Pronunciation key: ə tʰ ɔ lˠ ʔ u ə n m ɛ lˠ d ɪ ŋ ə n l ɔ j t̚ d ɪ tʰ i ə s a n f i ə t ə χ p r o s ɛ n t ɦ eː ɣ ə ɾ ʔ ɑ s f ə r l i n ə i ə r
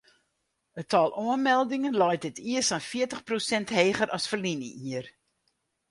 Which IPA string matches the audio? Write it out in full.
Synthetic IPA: ə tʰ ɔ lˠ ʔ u ə n m ɛ lˠ d ɪ ŋ ə n l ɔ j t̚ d ɪ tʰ i ə s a n f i ə t ə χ p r o s ɛ n t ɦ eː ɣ ə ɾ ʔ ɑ s f ə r l i n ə i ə r